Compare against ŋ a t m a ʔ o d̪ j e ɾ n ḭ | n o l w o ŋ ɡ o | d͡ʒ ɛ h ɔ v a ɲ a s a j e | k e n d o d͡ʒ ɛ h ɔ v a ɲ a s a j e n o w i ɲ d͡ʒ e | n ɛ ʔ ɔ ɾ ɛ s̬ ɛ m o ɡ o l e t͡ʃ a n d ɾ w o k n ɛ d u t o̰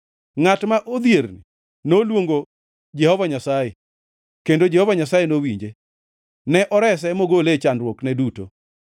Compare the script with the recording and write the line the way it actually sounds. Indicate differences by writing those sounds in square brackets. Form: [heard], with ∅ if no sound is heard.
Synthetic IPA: ŋ a t m a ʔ o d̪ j e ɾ n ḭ | n o l w o ŋ ɡ o | d͡ʒ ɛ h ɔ v a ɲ a s a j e | k e n d o d͡ʒ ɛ h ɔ v a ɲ a s a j e n o w i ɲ d͡ʒ e | n ɛ ʔ ɔ ɾ ɛ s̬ ɛ m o ɡ o l e t͡ʃ a n d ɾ w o k n ɛ d u t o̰